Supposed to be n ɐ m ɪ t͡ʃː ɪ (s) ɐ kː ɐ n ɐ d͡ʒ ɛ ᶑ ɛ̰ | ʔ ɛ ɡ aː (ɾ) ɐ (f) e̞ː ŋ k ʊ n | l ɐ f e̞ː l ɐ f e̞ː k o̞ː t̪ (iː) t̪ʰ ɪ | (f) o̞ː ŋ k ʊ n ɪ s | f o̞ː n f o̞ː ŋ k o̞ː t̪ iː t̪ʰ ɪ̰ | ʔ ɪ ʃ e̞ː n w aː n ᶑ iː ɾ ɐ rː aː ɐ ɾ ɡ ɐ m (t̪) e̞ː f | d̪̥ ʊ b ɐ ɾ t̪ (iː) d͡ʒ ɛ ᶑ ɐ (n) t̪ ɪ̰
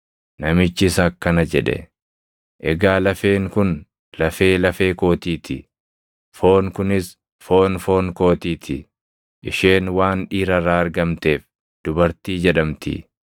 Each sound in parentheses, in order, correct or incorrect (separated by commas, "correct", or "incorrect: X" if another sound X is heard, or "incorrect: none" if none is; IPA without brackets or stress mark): correct, incorrect: l, correct, correct, correct, correct, correct, incorrect: m